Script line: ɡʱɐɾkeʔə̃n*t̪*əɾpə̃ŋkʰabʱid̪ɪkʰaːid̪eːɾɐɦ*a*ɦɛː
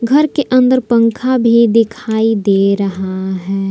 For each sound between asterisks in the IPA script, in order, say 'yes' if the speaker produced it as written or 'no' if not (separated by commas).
no, yes